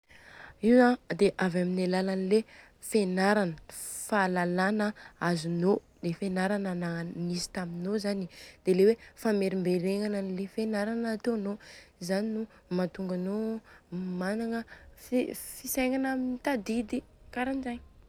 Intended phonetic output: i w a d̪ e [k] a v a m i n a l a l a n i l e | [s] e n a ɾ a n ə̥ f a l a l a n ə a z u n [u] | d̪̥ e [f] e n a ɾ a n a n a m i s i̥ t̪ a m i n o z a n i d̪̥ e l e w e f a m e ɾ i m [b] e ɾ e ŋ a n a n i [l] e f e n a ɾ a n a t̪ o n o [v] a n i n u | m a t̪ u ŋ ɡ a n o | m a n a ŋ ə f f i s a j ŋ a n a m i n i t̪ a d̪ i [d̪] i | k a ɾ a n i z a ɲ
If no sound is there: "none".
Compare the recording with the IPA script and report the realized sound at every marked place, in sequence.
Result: ʔ, f, o, f, b, l, z, d̪

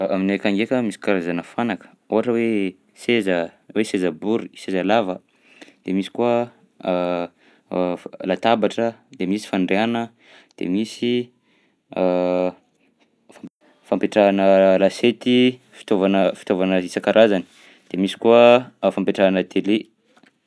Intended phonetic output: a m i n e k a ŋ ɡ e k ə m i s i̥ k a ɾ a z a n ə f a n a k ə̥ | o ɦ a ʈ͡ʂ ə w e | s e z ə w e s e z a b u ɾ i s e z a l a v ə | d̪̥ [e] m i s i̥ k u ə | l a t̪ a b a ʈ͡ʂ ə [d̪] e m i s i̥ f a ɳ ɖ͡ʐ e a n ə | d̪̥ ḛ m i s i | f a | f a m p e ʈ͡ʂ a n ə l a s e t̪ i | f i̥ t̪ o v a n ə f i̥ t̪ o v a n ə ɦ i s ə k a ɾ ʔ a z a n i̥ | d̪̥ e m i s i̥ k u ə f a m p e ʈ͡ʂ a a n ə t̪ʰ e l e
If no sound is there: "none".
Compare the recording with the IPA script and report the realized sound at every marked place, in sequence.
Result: e, d̪

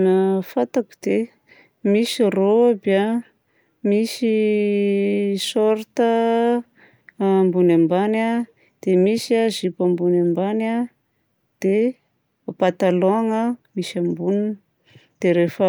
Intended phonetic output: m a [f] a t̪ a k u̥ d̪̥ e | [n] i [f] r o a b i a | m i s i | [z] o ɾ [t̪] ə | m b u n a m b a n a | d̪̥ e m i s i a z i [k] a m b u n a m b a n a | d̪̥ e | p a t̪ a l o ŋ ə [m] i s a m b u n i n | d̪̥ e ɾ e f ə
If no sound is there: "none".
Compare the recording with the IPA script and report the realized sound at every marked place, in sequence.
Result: f, m, s, s, t̪, p, m

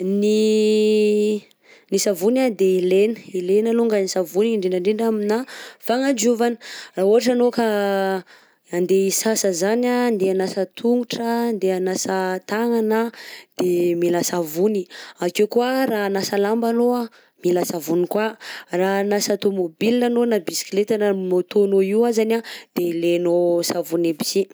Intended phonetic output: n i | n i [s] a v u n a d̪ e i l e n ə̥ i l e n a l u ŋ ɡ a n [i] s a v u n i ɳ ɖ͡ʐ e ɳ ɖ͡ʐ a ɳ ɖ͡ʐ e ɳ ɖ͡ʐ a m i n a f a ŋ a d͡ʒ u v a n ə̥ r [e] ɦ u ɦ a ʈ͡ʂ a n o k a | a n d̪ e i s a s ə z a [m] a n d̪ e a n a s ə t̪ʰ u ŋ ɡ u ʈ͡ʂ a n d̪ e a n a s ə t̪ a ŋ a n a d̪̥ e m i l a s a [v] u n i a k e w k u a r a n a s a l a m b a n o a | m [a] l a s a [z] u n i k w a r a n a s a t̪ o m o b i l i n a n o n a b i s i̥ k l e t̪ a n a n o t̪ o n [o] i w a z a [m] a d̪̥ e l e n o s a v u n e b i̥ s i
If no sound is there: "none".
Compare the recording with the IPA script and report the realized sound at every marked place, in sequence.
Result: s, i, a, n, v, i, v, o, n

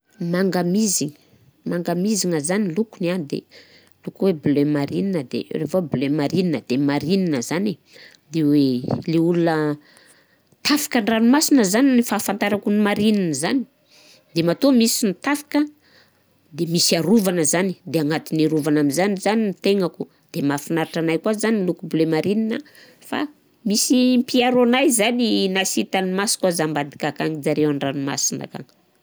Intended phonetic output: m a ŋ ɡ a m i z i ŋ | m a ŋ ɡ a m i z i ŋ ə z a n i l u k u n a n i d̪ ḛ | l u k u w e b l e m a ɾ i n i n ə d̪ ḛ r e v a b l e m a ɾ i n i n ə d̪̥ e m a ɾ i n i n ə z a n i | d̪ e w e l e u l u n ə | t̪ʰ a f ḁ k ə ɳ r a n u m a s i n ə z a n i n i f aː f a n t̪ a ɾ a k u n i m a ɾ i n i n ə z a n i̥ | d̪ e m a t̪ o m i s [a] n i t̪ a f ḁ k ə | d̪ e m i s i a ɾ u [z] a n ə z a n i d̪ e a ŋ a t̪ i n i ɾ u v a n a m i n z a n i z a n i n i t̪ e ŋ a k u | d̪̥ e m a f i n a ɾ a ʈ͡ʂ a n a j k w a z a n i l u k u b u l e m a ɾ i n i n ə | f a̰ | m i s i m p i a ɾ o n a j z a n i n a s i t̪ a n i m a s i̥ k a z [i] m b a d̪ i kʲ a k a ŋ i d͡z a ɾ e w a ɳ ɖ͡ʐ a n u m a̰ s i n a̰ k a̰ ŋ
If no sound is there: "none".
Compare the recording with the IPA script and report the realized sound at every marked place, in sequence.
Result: i, v, a

